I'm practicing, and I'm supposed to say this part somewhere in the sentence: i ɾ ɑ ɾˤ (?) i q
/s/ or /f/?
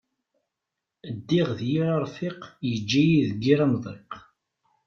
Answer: f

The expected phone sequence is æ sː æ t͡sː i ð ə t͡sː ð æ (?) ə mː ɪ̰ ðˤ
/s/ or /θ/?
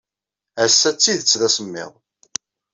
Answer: s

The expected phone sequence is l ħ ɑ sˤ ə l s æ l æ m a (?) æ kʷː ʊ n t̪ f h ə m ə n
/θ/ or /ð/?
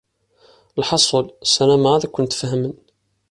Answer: ð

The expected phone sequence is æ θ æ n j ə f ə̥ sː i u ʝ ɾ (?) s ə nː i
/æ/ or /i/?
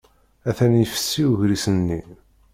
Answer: i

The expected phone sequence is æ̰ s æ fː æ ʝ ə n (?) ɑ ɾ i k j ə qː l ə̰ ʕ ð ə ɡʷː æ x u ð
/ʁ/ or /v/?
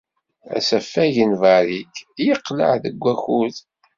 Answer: v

